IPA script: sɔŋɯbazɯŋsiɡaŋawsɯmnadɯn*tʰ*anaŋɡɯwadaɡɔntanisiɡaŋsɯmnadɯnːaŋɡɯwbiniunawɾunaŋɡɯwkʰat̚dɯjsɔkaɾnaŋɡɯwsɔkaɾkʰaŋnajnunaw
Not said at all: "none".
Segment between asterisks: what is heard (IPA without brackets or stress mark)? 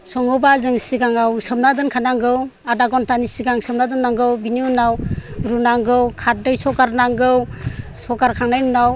kʰ